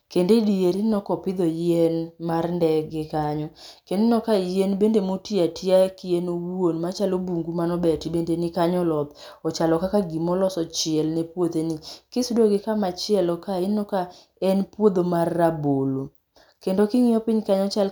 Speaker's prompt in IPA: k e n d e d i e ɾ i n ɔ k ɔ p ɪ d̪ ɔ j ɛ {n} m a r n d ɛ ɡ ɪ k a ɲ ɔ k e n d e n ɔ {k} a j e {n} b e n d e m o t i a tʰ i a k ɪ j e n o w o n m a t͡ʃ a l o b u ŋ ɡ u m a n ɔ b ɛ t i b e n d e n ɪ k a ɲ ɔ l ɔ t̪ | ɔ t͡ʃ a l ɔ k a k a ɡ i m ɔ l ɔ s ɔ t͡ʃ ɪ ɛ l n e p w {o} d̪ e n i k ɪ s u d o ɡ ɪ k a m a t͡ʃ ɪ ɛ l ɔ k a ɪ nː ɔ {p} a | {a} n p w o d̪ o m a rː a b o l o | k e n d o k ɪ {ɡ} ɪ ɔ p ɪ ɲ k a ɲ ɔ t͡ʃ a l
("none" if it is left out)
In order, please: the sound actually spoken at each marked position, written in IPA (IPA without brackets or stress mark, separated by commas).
n, k, n, o, k, ɛ, ŋ